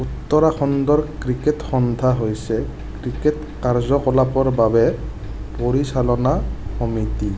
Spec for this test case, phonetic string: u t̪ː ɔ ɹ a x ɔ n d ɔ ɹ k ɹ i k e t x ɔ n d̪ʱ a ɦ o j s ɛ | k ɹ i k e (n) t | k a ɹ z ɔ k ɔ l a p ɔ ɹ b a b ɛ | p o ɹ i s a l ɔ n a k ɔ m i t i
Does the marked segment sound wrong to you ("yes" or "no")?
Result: yes